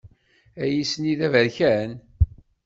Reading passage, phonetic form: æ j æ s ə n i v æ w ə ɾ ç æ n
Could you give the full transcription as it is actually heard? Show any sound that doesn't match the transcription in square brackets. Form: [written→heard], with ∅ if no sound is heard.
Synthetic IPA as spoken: æ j [æ→i] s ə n i [v→ð] æ [w→v] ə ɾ ç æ n